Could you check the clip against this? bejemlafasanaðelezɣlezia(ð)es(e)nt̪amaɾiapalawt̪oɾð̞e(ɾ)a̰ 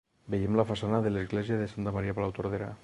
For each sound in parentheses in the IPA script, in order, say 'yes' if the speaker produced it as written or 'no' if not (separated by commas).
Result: yes, no, yes